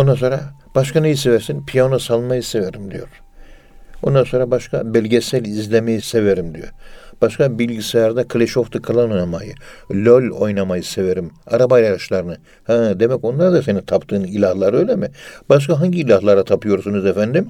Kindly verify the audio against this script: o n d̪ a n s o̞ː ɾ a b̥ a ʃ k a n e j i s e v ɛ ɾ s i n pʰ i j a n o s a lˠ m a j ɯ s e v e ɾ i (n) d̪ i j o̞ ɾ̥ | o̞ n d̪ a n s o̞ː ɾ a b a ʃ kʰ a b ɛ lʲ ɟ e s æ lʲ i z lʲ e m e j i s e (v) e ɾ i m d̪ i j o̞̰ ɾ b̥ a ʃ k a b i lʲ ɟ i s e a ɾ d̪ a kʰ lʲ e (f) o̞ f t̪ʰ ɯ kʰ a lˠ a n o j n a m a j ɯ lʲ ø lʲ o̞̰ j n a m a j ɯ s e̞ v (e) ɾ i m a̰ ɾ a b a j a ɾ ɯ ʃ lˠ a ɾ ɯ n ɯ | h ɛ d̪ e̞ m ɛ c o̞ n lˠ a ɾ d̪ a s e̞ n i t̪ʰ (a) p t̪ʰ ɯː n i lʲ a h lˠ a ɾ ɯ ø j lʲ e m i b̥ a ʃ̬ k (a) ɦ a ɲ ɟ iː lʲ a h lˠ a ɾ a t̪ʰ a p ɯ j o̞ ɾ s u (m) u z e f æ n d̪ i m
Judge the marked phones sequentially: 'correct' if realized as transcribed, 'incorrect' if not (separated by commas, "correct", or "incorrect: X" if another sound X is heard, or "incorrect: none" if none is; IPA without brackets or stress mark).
incorrect: m, correct, incorrect: ʃ, correct, correct, correct, incorrect: n